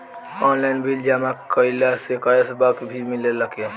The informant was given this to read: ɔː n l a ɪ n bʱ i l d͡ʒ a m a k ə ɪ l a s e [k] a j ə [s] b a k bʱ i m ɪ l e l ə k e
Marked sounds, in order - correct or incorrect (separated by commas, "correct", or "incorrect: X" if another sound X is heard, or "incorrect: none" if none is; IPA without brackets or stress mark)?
correct, correct